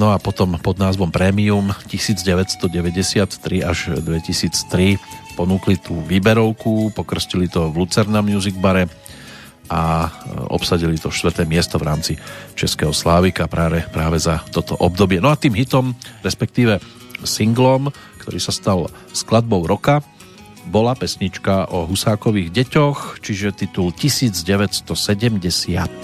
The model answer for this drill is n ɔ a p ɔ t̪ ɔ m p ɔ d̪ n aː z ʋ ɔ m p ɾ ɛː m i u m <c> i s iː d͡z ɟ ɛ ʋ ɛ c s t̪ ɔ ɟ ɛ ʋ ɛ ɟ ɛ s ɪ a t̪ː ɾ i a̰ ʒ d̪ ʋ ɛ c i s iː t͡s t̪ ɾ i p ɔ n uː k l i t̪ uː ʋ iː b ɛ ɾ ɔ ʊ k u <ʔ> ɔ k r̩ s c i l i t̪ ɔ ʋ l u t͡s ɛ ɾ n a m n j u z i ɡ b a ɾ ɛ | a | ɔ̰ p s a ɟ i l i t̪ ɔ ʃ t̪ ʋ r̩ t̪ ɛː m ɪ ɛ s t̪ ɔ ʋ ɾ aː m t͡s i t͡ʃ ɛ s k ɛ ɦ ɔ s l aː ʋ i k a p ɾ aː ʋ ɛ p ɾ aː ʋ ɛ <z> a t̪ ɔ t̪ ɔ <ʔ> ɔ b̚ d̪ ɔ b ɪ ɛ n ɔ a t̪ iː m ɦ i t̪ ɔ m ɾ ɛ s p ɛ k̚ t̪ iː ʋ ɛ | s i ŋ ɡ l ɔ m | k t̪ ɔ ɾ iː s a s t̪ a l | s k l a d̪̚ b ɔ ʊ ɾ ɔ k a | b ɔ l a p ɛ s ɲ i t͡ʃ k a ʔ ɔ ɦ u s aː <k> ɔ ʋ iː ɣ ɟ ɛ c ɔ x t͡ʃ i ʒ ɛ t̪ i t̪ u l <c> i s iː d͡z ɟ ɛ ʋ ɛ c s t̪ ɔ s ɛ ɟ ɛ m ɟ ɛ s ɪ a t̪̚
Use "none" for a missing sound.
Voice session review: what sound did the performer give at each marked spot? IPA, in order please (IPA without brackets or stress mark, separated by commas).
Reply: c, p, z, ʔ, k, c